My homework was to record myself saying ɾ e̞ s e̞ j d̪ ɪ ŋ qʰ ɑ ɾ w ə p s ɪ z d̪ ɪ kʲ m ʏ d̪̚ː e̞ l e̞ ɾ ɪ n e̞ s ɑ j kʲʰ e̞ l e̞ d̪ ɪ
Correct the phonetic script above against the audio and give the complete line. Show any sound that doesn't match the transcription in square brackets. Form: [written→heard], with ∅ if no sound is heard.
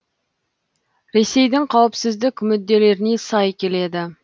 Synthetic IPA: ɾ e̞ s e̞ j d̪ ɪ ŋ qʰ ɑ [ɾ→∅] w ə p s ɪ z d̪ ɪ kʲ m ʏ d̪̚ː e̞ l e̞ ɾ ɪ n e̞ s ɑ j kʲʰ e̞ l e̞ d̪ ɪ

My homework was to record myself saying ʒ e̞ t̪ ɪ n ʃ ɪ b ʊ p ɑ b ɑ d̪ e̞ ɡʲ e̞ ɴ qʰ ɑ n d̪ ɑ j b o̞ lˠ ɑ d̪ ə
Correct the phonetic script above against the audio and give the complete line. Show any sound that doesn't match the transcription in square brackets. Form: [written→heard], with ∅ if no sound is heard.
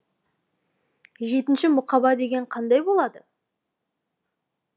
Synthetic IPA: ʒ e̞ t̪ ɪ n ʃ ɪ [b→m] ʊ [p→q] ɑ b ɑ d̪ e̞ ɡʲ e̞ ɴ qʰ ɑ n d̪ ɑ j b o̞ lˠ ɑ d̪ ə

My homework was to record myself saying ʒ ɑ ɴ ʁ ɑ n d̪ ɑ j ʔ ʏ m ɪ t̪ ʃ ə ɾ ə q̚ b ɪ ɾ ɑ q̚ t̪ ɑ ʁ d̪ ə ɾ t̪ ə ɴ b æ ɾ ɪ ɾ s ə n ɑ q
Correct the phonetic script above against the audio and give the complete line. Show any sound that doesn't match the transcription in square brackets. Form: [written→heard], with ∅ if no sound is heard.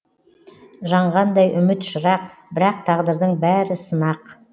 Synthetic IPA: ʒ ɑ ɴ ʁ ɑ n d̪ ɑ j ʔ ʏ m ɪ t̪ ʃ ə ɾ [ə→ɑ] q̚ b ɪ ɾ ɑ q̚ [t̪→t̪ʰ] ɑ ʁ d̪ ə ɾ [t̪→d̪] ə ɴ b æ ɾ ɪ [ɾ→∅] s ə n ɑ q

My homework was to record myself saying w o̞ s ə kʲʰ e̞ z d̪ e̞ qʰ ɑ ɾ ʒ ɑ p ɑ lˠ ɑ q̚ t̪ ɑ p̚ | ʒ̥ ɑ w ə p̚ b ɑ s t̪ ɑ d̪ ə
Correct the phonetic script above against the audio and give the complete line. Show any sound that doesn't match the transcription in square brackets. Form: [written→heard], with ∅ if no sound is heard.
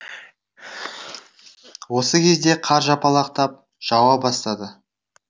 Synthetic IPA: w o̞ s ə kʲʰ e̞ z d̪ e̞ qʰ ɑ ɾ ʒ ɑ p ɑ lˠ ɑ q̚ t̪ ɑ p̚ | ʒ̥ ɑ w [ə→ɑ] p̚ b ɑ s t̪ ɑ d̪ ə

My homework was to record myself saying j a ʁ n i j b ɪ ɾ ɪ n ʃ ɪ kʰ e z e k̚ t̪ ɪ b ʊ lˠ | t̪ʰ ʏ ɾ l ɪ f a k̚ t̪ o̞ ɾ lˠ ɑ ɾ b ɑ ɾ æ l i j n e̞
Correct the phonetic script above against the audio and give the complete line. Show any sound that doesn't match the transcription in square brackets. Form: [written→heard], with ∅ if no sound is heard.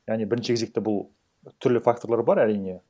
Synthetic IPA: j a ʁ n i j b ɪ ɾ ɪ n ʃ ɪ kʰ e z e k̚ t̪ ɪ b ʊ lˠ | t̪ʰ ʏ ɾ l ɪ f a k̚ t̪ o̞ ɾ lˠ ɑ ɾ b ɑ ɾ æ [l→ɾ] i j n e̞

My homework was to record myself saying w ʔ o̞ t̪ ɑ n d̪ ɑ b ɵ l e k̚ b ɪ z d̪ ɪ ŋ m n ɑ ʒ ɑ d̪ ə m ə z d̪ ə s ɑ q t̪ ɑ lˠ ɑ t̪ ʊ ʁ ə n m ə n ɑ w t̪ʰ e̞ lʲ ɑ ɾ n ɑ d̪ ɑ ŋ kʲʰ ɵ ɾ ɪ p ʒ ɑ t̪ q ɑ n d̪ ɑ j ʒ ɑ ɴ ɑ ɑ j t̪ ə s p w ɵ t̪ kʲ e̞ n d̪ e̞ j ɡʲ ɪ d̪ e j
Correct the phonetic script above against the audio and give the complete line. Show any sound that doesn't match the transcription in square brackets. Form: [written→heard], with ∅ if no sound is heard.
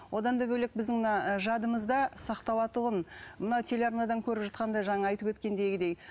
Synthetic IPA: w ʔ o̞ [t̪→d̪] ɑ n d̪ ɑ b ɵ l e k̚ b ɪ z d̪ ɪ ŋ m n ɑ ʒ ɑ d̪ ə m ə z d̪ [ə→ɑ] s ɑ q t̪ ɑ lˠ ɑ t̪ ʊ ʁ ə n m ə n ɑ w t̪ʰ e̞ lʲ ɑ ɾ n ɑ d̪ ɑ ŋ kʲʰ ɵ ɾ ɪ p ʒ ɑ t̪ q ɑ n d̪ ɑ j ʒ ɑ ɴ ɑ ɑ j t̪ ə [s→∅] p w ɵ t̪ kʲ e̞ n d̪ e̞ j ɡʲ ɪ d̪ e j

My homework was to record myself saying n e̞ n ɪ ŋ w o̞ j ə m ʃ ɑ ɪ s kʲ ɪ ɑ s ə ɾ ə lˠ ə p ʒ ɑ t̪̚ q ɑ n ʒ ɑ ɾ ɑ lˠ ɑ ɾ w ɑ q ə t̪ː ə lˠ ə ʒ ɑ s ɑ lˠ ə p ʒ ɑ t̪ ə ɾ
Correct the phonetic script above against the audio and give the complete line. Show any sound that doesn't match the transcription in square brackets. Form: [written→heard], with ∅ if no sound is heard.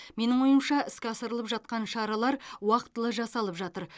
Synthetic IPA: [n→m] e̞ n ɪ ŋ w o̞ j ə m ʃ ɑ ɪ s kʲ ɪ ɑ s ə ɾ ə lˠ ə p ʒ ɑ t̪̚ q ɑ n [ʒ→ʃ] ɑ ɾ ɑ lˠ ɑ ɾ w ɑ q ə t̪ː ə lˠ ə ʒ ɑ s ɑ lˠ ə p ʒ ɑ t̪ ə ɾ

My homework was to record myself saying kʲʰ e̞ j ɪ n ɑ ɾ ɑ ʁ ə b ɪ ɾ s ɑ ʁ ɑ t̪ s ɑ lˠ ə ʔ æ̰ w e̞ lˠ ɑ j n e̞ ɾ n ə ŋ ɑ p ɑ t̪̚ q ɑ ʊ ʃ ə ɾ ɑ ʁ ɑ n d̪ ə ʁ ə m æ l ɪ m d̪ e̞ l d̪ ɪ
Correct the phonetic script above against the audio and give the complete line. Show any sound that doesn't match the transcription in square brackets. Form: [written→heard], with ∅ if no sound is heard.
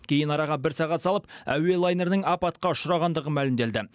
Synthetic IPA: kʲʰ e̞ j ɪ n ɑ ɾ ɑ ʁ [ə→ɑ] b ɪ ɾ s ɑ ʁ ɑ t̪ s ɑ lˠ ə [ʔ→p] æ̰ w e̞ lˠ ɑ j n e̞ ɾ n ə ŋ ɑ p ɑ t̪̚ q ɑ ʊ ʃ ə ɾ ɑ ʁ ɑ n d̪ ə ʁ ə m æ l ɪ m d̪ e̞ l d̪ ɪ

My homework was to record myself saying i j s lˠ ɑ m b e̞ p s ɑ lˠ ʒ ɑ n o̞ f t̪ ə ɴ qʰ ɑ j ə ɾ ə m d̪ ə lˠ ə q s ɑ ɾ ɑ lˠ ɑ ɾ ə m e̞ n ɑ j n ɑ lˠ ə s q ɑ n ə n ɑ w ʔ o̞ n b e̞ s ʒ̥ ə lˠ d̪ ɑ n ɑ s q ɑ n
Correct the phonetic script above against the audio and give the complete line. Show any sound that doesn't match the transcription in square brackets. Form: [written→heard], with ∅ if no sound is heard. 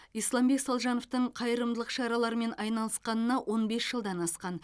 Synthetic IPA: i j s lˠ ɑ m b e̞ [p→k] s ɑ lˠ ʒ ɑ n o̞ f t̪ ə ɴ qʰ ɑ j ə ɾ ə m d̪ ə lˠ ə q [s→ʃ] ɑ ɾ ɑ lˠ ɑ ɾ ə m e̞ n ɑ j n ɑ lˠ ə s q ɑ n ə n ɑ w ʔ o̞ n b e̞ s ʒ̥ ə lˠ d̪ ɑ n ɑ s q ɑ n

